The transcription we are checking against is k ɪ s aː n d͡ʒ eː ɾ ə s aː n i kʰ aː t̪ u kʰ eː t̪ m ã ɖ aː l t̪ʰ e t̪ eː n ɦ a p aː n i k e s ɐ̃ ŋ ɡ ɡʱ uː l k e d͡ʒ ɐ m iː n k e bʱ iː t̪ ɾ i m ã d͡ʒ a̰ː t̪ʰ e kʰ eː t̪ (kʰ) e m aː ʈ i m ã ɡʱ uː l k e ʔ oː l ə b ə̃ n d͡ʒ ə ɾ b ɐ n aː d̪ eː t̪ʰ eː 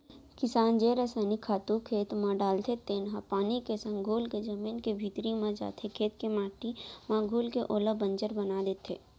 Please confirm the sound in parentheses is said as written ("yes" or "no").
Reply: no